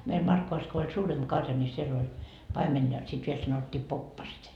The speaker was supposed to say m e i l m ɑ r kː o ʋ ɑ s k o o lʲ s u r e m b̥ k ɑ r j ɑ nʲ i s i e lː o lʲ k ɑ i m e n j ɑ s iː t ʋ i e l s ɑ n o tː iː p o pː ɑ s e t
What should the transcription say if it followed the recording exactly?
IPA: m e i l m ɑ r kː o ʋ ɑ s k o o lʲ s uː r e m b̥ k ɑ r j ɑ nʲ i s i e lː o lʲ p ɑ i m e n j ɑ s i t ʋ i e l s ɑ n o tː iː p o pː ɑ s e t